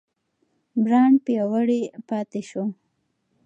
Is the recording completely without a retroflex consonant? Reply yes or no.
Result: no